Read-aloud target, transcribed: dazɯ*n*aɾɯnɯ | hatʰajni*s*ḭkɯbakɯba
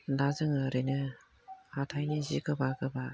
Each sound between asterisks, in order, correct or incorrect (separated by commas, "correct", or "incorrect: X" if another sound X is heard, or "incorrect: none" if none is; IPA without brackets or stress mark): incorrect: ŋ, incorrect: z